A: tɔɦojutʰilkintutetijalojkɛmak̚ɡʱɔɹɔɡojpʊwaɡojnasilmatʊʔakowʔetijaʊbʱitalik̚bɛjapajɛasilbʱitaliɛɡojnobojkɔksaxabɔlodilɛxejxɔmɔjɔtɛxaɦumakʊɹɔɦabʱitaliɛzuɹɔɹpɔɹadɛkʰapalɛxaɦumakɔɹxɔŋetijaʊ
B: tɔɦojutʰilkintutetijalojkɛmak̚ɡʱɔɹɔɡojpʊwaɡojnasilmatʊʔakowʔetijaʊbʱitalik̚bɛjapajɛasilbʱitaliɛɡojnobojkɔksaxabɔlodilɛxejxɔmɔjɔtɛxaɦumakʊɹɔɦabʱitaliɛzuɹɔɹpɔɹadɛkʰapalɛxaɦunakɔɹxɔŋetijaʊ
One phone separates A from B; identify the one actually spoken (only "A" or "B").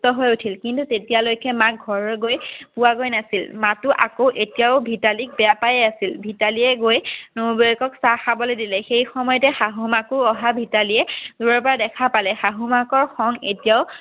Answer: A